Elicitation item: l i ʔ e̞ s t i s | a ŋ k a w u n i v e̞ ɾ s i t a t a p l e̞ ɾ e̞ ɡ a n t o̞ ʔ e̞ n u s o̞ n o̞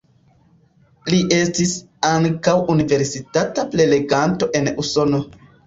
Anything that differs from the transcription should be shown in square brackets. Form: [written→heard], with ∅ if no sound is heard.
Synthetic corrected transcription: l i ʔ e̞ s t i s | a ŋ k a w u n i v e̞ ɾ s i t a t a p l e̞ [ɾ→l] e̞ ɡ a n t o̞ ʔ e̞ n u s o̞ n o̞

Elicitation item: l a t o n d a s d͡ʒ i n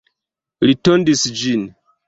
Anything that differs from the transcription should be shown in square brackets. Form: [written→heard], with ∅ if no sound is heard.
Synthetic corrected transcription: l [a→i] t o n d [a→i] s d͡ʒ i n

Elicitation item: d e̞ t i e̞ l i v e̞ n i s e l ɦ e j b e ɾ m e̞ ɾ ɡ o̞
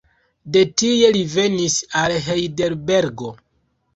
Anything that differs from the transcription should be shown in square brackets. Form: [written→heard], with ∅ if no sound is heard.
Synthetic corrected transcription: d e̞ t i e̞ l i v e̞ n i s [e→a] l ɦ e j [b→d] e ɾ [m→b] e̞ ɾ ɡ o̞

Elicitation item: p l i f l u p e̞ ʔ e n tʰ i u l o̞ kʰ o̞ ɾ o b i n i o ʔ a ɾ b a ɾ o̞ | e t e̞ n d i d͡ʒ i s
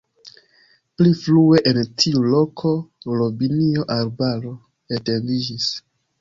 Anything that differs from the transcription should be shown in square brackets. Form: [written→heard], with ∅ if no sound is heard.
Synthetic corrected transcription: p l i f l u [p→∅] e̞ ʔ e n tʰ i u l o̞ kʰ o̞ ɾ o b i n i o ʔ a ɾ b a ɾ o̞ | e t e̞ n d i d͡ʒ i s

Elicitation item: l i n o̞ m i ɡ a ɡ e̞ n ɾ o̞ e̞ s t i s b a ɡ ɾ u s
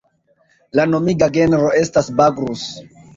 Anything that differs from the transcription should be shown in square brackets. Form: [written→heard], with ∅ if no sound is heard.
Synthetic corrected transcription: l [i→a] n o̞ m i ɡ a ɡ e̞ n ɾ o̞ e̞ s t [i→a] s b a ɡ ɾ u s

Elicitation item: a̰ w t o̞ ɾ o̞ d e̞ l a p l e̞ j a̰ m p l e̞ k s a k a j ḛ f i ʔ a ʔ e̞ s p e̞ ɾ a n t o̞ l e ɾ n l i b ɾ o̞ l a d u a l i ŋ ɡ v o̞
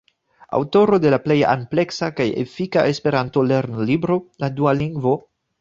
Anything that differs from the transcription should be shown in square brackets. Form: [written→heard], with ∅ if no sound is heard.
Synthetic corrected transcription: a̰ w t o̞ ɾ o̞ d e̞ l a p l e̞ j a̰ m p l e̞ k s a k a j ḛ f i [ʔ→k] a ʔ e̞ s p e̞ ɾ a n t o̞ l e ɾ n l i b ɾ o̞ l a d u a l i ŋ ɡ v o̞

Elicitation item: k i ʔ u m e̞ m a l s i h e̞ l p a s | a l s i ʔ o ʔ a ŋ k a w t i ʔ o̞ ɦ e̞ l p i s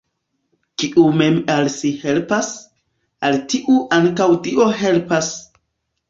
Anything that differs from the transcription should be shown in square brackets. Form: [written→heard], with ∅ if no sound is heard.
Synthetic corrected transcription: k i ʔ u m e̞ m a l s i h e̞ l p a s | a l [s→t] i ʔ [o→u] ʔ a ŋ k a w t i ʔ o̞ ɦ e̞ l p [i→a] s

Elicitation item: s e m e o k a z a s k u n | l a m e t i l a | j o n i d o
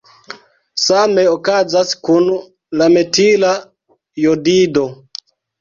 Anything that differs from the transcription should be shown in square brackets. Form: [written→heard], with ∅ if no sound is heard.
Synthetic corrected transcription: s [e→a] m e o k a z a s k u n | l a m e t i l a | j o [n→d] i d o

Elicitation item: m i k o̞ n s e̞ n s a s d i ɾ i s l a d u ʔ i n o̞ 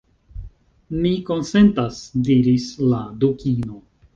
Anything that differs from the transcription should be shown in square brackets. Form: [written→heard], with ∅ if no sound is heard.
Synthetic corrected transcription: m i k o̞ n s e̞ n [s→t] a s d i ɾ i s l a d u [ʔ→k] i n o̞

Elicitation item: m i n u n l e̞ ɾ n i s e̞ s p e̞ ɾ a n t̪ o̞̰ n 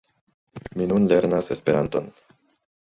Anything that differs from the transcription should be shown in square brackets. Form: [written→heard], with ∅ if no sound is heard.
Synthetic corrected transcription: m i n u n l e̞ ɾ n [i→a] s e̞ s p e̞ ɾ a n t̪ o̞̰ n

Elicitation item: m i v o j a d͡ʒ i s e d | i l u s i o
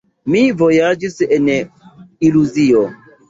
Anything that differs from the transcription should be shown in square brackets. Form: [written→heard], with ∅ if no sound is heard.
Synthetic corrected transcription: m i v o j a d͡ʒ i s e [d→n] | i l u [s→z] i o

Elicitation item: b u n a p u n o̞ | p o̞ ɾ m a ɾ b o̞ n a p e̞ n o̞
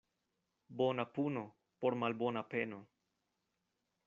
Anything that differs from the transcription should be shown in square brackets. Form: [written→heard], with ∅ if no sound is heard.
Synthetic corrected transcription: b [u→o] n a p u n o̞ | p o̞ ɾ m a [ɾ→l] b o̞ n a p e̞ n o̞

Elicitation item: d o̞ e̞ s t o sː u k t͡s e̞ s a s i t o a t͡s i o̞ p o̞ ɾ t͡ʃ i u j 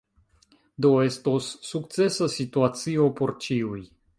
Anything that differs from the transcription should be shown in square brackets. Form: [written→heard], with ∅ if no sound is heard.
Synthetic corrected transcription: d o̞ e̞ s t o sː u k t͡s e̞ s a s i t [o→u] a t͡s i o̞ p o̞ ɾ t͡ʃ i u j

